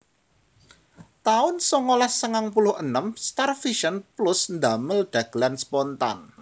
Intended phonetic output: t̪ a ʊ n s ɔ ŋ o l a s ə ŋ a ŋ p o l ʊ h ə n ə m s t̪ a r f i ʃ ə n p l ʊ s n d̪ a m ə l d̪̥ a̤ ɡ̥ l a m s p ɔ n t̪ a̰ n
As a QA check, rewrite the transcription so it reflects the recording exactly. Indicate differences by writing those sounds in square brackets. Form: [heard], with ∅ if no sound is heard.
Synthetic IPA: t̪ a ʊ n s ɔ ŋ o l a s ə ŋ a ŋ p [u] l ʊ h ə n ə m s t̪ a r f i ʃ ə n p l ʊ s n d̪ a m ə l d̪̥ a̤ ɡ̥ l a [n] s p ɔ n t̪ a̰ n

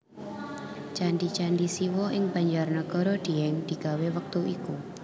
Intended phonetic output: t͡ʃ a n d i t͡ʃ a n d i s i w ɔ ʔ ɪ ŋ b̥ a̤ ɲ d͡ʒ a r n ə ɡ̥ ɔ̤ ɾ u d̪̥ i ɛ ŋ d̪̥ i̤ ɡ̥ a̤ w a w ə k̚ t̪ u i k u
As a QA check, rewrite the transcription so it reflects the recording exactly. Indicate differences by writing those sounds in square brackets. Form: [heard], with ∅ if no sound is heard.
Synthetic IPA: t͡ʃ a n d i t͡ʃ a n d i s i w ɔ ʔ ɪ ŋ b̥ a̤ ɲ d͡ʒ a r n ə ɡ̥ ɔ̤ ɾ [ɔ] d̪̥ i ɛ ŋ d̪̥ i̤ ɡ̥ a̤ w [e] w ə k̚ t̪ u i k u

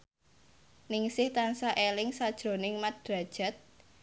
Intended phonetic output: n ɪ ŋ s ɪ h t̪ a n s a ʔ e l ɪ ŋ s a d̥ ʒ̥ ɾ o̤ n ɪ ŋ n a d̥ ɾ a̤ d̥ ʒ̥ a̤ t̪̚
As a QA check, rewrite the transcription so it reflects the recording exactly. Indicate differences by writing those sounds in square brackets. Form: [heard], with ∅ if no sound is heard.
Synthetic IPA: n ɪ ŋ s ɪ h t̪ a n s a ʔ e l ɪ ŋ s a d̥ ʒ̥ ɾ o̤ n ɪ ŋ [m] a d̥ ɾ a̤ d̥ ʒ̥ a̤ t̪̚

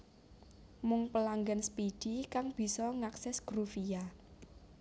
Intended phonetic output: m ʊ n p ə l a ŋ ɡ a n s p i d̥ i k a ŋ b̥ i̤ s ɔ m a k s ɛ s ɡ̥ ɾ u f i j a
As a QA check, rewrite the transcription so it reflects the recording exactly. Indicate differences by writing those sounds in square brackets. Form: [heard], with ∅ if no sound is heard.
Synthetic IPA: m ʊ [ŋ] p ə l a ŋ ɡ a n s p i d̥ i k a ŋ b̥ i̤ s ɔ [ŋ] a k s ɛ s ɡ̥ ɾ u f i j a

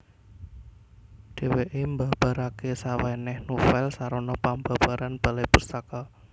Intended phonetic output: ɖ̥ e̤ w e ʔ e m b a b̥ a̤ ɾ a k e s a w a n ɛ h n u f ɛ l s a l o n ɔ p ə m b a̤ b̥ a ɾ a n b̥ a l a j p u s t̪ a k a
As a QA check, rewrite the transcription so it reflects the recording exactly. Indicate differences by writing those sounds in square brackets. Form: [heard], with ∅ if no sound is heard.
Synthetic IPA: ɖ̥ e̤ w e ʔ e m b a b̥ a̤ ɾ a k e s a w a n ɛ h n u f ɛ l s a [ɾ] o n ɔ p [a] m b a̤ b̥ a ɾ a n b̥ a l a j p u s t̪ a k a

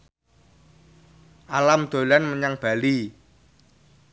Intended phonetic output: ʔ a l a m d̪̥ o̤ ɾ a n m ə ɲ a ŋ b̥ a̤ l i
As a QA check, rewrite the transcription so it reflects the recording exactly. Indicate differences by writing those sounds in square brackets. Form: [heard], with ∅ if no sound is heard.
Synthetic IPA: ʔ a l a m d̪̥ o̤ [l] a n m ə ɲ a ŋ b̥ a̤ l i

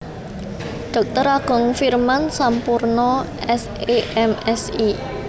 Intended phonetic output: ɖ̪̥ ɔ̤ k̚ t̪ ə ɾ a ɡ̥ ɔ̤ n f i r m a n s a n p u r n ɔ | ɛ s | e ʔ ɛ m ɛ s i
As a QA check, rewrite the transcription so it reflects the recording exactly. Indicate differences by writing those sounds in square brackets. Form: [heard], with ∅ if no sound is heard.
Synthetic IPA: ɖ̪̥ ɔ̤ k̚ t̪ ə ɾ a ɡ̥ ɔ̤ [ŋ] f i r m a n s a [m] p u r n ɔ | ɛ s | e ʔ ɛ m ɛ s i

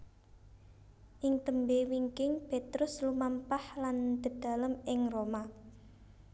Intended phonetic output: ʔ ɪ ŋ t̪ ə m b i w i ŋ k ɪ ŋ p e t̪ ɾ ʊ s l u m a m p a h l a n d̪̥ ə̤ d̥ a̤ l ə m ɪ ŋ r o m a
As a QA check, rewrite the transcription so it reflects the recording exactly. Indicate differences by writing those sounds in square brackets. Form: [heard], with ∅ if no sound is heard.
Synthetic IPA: ʔ ɪ ŋ t̪ ə m b [e] w i ŋ k ɪ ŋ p e t̪ ɾ ʊ s l u m a m p a h l a n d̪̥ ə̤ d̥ a̤ l ə m ɪ ŋ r o m a

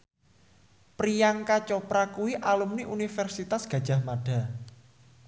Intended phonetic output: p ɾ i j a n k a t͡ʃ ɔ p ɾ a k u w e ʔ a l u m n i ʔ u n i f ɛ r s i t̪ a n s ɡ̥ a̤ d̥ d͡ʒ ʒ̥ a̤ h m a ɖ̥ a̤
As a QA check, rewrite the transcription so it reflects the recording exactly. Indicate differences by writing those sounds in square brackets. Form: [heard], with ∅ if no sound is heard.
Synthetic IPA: p ɾ i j a [ŋ] k a t͡ʃ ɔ p ɾ a k u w [i] ʔ a l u m n i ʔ u n i f ɛ r s i t̪ a [∅] s ɡ̥ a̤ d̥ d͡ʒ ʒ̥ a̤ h m a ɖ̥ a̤

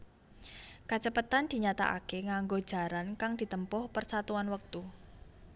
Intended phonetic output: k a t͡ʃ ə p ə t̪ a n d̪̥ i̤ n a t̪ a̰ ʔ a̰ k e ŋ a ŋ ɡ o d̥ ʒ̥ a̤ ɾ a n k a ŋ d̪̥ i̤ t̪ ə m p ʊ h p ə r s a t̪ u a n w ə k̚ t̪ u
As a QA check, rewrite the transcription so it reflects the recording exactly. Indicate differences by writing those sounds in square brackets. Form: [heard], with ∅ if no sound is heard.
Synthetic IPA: k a t͡ʃ ə p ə t̪ a n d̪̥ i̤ [ɲ] a t̪ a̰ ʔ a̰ k e ŋ a ŋ ɡ o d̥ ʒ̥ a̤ ɾ a n k a ŋ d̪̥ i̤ t̪ ə m p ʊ h p ə r s a t̪ u a n w ə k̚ t̪ u

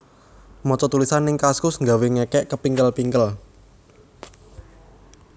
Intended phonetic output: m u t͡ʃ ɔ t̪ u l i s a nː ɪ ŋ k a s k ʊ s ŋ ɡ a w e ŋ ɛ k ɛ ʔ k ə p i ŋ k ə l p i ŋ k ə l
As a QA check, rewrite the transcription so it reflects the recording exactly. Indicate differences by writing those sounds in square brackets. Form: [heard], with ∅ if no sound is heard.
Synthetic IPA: m [ɔ] t͡ʃ ɔ t̪ u l i s a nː ɪ ŋ k a s k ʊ s ŋ ɡ a w e ŋ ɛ k ɛ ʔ k ə p i ŋ k ə l p i ŋ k ə l

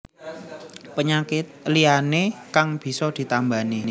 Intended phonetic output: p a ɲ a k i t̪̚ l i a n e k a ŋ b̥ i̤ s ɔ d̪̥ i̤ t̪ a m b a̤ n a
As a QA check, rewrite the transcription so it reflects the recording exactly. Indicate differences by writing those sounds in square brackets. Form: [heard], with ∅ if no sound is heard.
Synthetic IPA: p [ə] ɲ a k [ɪ] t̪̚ l i a n e k a ŋ b̥ i̤ s ɔ d̪̥ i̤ t̪ a m b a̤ n [i]

